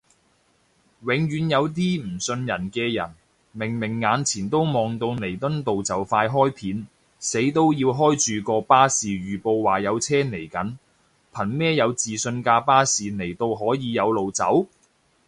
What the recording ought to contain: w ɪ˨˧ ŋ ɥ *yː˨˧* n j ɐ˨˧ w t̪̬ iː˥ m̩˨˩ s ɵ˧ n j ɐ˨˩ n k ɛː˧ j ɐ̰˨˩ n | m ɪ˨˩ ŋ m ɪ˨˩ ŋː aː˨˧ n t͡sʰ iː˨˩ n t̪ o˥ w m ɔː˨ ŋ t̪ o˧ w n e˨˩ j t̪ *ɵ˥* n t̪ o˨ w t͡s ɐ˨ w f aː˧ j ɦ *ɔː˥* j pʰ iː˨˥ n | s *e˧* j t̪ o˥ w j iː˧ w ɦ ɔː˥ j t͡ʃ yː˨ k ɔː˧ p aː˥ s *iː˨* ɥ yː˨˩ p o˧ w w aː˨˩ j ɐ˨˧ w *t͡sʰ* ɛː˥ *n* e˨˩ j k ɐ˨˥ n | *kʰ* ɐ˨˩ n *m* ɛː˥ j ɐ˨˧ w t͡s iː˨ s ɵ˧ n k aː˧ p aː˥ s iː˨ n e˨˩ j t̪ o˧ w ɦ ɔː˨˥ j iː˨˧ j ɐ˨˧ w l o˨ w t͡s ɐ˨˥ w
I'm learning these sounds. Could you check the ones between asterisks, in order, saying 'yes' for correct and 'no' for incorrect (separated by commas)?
yes, yes, yes, no, yes, yes, yes, no, yes